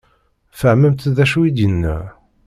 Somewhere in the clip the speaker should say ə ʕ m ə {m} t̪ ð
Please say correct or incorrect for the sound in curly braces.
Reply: correct